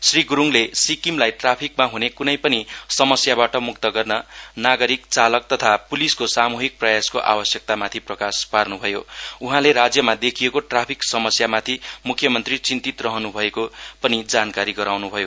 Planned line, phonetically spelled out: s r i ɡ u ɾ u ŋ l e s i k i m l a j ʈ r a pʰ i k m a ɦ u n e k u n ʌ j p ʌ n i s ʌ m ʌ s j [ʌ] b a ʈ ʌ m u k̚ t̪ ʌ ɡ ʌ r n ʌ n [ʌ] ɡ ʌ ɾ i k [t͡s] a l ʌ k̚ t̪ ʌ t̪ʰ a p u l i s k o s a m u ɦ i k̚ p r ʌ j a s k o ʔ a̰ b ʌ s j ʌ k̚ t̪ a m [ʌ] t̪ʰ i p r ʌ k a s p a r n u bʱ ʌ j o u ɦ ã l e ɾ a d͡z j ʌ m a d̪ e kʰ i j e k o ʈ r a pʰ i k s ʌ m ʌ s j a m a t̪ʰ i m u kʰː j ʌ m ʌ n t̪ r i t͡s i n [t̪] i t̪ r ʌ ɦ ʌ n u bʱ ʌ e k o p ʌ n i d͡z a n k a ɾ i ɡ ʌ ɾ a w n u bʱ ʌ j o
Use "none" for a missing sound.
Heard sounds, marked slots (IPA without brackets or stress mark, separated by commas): a, a, t͡s, a, t̪